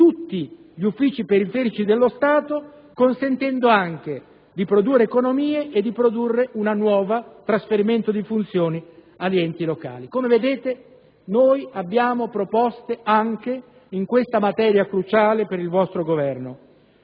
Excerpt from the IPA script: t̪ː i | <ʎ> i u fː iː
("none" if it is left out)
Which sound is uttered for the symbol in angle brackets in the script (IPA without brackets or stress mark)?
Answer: ʎ